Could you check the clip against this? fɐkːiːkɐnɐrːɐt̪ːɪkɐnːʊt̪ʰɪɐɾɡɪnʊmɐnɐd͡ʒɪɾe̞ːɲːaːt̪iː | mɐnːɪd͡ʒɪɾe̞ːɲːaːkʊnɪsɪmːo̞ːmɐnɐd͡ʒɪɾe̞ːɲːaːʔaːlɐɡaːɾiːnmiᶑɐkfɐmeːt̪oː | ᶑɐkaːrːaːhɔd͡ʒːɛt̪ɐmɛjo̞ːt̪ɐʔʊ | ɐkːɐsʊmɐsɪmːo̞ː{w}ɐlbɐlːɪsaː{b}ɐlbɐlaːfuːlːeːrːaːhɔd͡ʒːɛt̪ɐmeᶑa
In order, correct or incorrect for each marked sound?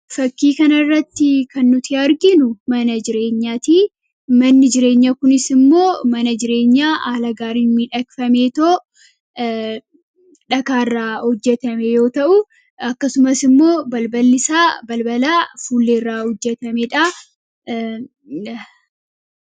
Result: incorrect, correct

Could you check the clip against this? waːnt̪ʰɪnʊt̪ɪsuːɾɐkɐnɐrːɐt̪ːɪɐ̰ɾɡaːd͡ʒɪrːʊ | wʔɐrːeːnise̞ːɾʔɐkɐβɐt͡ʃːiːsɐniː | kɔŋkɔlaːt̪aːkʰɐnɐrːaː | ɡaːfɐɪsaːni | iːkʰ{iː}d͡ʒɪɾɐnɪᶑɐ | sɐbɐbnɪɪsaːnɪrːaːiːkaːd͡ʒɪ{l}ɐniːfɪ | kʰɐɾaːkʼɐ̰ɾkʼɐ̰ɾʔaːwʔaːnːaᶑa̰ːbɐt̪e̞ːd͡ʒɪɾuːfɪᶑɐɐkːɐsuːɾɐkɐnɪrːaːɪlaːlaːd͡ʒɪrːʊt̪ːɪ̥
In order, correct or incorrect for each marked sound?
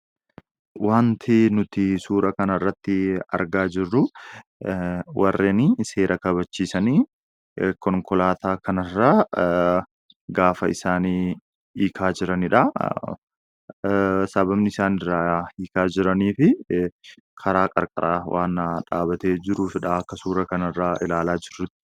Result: incorrect, incorrect

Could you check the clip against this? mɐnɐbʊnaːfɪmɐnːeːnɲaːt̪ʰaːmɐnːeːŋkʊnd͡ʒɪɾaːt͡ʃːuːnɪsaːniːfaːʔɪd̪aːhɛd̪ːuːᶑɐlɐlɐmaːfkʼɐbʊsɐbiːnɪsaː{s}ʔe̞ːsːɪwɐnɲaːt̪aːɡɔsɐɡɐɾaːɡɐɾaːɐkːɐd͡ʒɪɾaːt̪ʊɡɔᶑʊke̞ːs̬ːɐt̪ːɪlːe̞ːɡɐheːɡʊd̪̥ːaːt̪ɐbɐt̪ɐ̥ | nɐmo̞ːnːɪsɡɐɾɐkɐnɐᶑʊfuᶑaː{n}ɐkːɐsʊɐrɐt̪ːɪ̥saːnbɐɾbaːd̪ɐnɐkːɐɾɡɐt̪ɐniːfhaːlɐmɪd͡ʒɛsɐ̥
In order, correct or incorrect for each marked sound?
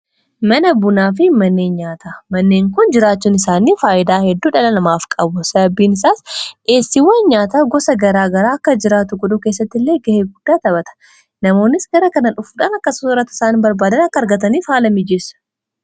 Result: correct, correct

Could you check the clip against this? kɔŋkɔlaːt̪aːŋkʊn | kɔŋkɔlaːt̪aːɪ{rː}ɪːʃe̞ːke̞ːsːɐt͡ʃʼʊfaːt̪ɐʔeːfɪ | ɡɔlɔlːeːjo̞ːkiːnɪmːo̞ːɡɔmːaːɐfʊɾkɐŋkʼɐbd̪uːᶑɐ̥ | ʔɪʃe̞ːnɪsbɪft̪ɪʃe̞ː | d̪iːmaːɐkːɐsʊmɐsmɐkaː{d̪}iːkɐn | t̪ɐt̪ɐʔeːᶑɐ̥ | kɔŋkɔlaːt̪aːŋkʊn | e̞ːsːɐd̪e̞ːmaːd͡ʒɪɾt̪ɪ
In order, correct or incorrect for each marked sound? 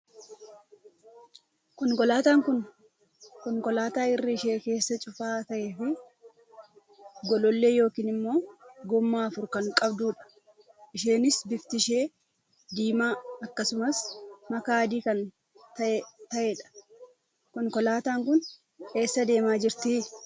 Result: correct, correct

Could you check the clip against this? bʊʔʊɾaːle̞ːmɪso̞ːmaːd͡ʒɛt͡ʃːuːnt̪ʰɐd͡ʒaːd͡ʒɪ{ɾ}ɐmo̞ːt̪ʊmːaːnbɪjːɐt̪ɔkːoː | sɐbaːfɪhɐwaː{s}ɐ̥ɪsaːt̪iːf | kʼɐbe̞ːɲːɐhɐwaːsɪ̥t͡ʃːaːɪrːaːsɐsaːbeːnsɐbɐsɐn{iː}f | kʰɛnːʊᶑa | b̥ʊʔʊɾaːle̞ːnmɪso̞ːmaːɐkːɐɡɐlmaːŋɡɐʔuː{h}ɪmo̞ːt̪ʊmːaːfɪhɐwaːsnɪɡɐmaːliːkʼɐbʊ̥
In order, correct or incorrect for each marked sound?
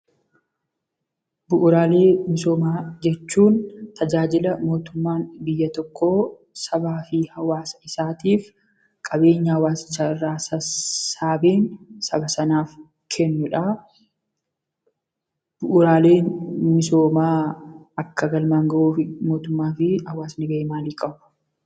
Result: incorrect, correct, incorrect, incorrect

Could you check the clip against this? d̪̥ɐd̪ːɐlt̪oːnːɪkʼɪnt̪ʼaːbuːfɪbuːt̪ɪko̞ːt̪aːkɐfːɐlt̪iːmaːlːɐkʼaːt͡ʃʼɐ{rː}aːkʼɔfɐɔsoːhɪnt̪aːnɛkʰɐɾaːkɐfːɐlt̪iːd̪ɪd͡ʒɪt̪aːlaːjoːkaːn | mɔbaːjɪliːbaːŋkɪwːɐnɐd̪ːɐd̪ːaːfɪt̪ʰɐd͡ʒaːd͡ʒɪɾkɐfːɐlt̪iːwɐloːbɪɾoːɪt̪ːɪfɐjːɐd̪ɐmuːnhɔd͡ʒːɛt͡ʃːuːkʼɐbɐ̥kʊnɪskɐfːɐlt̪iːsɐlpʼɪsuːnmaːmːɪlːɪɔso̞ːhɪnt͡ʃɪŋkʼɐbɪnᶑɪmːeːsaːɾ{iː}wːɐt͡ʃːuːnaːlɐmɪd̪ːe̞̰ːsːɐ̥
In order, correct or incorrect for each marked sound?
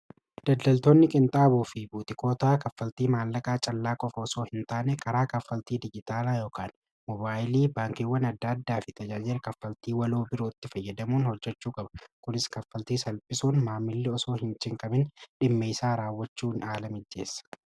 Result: incorrect, incorrect

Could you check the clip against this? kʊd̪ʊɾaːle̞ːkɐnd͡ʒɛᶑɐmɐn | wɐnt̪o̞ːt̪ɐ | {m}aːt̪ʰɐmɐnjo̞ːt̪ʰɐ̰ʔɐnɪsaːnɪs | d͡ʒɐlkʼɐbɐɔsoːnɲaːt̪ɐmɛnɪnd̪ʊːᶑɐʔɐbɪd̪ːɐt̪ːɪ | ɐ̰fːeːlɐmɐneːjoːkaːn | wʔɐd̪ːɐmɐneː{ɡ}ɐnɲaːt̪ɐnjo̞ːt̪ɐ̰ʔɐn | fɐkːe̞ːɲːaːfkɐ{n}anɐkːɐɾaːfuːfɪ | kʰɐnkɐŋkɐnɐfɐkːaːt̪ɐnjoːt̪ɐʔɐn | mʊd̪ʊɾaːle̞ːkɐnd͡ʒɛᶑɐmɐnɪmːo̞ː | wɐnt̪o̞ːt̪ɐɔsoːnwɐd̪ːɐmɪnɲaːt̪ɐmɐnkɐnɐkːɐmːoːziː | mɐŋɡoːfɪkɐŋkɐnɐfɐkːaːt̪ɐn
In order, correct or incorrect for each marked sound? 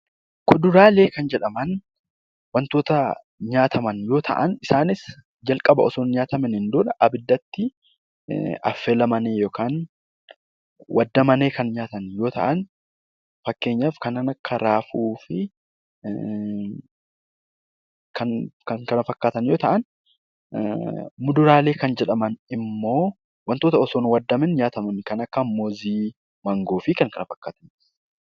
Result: incorrect, incorrect, correct

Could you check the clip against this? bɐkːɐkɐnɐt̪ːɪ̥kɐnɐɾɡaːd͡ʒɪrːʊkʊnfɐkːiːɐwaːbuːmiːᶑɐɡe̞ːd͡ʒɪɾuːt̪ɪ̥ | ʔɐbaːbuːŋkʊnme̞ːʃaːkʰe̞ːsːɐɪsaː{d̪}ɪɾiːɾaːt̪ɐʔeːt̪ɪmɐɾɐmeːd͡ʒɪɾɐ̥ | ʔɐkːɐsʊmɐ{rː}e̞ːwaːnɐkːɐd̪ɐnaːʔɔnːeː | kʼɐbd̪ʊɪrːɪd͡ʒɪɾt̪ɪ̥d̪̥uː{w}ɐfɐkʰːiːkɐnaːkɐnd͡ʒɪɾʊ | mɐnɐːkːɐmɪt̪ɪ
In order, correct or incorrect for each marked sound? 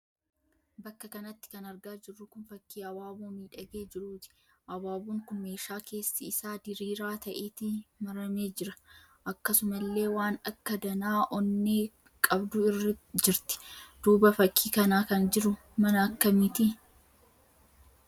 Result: correct, incorrect, incorrect

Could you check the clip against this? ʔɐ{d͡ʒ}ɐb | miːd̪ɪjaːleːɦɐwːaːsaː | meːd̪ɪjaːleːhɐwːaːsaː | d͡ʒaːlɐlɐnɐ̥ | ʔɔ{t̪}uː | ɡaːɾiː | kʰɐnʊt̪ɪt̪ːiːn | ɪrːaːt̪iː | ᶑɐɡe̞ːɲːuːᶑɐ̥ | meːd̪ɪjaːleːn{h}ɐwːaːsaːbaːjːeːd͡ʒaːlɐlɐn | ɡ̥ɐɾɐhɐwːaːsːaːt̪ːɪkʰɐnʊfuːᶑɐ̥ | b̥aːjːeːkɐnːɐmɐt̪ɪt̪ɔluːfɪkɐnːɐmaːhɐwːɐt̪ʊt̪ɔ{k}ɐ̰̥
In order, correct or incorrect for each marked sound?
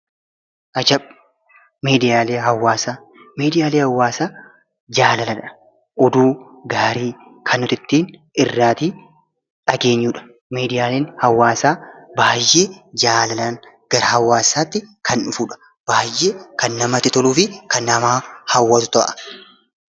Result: correct, incorrect, correct, incorrect

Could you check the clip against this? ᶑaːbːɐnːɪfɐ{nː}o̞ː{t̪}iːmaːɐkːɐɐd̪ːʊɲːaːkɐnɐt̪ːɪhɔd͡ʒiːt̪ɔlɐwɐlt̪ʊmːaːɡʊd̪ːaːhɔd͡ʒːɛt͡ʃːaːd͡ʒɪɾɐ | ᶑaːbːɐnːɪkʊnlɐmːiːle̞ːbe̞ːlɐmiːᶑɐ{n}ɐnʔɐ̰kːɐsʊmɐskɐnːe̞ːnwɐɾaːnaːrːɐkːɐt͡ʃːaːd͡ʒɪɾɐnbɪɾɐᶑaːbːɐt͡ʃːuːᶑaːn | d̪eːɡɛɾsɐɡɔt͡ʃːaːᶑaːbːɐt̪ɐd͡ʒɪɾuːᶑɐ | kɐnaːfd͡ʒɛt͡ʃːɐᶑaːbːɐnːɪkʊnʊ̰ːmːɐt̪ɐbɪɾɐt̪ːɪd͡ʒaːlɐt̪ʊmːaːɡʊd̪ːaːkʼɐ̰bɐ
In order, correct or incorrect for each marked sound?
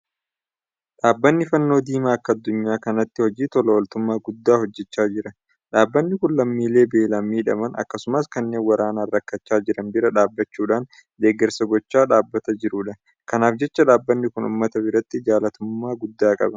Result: correct, incorrect, incorrect

